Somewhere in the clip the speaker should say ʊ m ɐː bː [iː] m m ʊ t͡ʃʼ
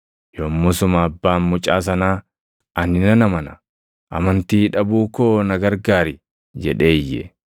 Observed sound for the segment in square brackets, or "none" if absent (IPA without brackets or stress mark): aː